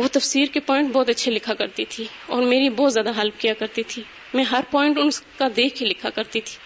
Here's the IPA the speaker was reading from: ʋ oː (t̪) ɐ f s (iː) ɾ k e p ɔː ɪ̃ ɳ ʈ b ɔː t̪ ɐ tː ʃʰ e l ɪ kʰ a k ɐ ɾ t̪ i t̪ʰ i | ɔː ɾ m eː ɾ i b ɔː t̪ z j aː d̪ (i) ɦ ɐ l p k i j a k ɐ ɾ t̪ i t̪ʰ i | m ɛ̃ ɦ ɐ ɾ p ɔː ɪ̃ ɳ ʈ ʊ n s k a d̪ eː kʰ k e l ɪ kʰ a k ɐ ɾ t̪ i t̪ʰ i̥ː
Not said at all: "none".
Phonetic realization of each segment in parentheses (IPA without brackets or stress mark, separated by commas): t̪, iː, a